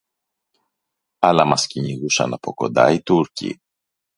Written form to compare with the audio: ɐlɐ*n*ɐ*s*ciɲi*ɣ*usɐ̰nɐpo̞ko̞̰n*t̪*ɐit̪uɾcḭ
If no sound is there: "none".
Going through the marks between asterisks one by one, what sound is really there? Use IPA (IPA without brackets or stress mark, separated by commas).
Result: m, s, ɣ, d̪